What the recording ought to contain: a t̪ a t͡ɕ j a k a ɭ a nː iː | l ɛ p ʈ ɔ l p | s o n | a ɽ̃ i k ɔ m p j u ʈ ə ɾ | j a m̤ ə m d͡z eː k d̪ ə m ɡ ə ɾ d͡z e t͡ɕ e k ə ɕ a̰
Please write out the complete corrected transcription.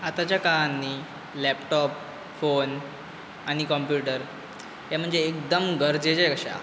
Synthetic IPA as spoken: a t̪ a t͡ɕ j a k a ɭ a nː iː | l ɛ p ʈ ɔ p | f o n | a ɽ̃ i k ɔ m p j u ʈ ə ɾ | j a m̤ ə ɳ d͡z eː k d̪ ə m ɡ ə ɾ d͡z e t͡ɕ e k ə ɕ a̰